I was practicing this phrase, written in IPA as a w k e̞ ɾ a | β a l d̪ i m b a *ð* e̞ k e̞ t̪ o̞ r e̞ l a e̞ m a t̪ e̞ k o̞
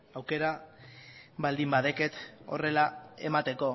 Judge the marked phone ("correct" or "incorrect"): correct